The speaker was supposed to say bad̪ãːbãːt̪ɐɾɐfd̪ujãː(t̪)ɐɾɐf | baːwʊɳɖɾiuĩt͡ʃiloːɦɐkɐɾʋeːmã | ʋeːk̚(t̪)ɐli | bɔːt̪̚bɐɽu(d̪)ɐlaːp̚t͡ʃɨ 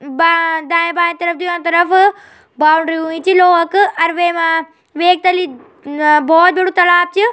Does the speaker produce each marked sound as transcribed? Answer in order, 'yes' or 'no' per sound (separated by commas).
yes, yes, no